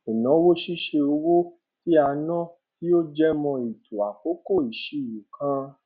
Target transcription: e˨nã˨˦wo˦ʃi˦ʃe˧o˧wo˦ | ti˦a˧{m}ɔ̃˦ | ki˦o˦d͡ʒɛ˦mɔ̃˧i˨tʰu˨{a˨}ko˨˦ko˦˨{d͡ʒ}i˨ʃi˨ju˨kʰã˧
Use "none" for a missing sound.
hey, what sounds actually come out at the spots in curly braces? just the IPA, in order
n, a˨, none

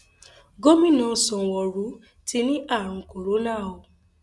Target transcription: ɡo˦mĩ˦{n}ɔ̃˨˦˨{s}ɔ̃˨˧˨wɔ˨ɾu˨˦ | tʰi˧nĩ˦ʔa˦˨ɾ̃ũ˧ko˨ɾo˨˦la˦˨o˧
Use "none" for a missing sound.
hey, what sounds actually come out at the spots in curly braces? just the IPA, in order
n, s

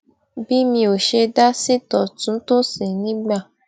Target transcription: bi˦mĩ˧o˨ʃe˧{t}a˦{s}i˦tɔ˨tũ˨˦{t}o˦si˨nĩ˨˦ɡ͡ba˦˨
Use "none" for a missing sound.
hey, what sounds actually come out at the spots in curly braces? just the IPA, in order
d, s, t

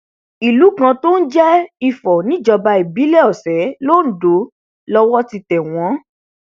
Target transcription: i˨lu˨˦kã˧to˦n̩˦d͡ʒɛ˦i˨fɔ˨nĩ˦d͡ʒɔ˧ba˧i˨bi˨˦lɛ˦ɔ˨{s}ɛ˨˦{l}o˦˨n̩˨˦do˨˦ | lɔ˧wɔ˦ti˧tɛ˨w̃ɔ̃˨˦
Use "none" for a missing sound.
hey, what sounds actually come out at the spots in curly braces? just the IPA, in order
s, l

